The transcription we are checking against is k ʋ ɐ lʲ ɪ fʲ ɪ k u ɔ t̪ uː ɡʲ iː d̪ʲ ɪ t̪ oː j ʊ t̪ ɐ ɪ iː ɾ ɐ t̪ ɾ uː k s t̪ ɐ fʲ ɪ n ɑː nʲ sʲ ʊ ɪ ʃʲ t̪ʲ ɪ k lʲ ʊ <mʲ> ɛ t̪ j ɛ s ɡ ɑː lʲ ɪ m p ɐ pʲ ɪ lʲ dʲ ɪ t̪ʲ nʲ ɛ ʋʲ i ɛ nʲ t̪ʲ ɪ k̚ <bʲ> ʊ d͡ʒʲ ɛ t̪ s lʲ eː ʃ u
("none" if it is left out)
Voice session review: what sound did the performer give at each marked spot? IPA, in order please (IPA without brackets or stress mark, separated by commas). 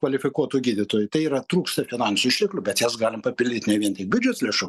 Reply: bʲ, bʲ